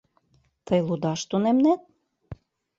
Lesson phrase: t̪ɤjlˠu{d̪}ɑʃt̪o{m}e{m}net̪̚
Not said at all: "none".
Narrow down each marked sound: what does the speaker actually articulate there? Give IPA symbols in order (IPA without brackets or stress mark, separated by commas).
d̪, n, m